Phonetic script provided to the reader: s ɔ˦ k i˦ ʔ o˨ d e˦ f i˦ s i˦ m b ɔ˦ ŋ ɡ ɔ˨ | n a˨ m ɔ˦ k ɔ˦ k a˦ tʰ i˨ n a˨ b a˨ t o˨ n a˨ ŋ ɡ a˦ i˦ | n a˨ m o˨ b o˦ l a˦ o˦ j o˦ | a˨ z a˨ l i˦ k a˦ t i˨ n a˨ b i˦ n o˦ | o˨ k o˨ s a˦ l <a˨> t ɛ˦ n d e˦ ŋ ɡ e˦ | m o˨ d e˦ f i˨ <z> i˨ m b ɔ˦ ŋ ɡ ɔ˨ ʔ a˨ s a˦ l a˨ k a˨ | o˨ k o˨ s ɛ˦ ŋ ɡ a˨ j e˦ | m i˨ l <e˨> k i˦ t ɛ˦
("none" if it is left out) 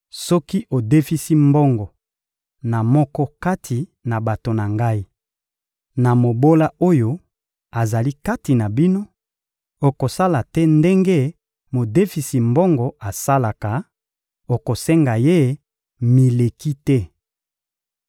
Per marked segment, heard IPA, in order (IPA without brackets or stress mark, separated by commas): a˨, s, e˨